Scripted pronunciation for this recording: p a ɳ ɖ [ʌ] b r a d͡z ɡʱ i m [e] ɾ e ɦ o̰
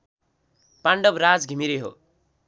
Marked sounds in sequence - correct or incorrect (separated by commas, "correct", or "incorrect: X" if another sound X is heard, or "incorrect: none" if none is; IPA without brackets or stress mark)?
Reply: correct, incorrect: i